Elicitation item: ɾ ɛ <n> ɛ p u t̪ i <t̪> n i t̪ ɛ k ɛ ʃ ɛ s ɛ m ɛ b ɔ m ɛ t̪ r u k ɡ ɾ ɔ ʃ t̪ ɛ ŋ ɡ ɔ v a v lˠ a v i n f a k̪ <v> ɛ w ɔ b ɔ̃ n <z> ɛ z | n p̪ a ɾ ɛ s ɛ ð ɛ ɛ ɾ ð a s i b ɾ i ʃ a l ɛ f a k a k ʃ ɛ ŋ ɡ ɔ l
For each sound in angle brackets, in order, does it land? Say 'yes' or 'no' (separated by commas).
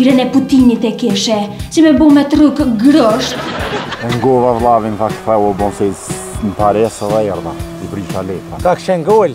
yes, no, no, no